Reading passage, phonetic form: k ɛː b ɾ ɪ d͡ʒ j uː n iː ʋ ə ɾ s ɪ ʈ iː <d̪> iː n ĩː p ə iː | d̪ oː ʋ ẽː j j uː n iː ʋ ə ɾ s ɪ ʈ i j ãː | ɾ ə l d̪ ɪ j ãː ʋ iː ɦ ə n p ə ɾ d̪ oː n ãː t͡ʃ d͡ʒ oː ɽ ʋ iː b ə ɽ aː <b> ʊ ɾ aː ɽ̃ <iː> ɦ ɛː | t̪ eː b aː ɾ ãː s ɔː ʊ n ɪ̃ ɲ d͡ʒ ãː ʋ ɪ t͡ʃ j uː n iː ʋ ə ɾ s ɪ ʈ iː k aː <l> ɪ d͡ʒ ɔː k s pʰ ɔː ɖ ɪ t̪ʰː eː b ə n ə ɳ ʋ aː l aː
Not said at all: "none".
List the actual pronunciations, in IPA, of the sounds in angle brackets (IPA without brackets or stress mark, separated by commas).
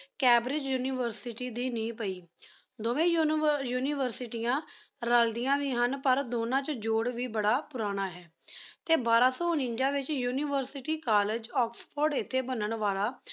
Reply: d̪, p, aː, l